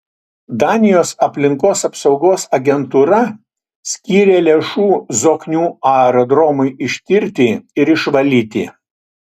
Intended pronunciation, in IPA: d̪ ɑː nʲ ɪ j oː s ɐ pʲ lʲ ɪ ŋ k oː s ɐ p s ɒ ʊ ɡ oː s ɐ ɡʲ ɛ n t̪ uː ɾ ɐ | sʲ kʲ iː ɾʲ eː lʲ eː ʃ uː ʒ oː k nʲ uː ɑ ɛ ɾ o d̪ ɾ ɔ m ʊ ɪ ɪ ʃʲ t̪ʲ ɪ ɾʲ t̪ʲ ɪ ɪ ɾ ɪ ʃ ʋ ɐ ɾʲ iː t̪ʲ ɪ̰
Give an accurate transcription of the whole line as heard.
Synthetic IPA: d̪ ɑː nʲ ɪ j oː s ɐ pʲ lʲ ɪ ŋ k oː s ɐ p s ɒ ʊ ɡ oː s ɐ ɡʲ ɛ n t̪ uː ɾ ɐ | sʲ kʲ iː ɾʲ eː lʲ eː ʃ uː z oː k nʲ uː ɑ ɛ ɾ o d̪ ɾ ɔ m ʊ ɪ ɪ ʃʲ t̪ʲ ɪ ɾʲ t̪ʲ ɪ ɪ ɾ ɪ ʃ ʋ ɐ lʲ iː t̪ʲ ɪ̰